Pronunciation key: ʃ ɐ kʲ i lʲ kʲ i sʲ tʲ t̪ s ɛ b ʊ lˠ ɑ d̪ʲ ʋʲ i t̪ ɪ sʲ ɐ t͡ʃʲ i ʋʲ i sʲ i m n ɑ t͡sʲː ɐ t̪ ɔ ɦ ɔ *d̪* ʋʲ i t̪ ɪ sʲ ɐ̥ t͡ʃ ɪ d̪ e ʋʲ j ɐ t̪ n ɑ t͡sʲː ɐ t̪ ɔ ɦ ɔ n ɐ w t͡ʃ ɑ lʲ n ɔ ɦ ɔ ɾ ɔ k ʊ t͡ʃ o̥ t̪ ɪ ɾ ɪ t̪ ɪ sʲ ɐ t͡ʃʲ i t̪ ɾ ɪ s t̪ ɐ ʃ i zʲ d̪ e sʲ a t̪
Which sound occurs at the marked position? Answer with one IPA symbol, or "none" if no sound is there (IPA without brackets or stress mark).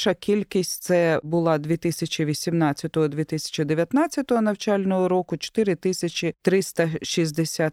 d̪